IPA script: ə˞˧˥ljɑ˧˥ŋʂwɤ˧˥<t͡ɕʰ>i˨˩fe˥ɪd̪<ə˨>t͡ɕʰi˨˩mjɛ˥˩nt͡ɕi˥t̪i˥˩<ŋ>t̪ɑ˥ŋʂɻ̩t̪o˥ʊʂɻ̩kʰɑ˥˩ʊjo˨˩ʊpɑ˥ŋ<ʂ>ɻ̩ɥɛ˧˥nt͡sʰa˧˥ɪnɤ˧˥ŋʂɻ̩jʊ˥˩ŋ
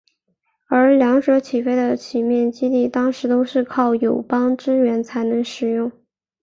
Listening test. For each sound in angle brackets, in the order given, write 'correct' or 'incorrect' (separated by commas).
correct, correct, incorrect, incorrect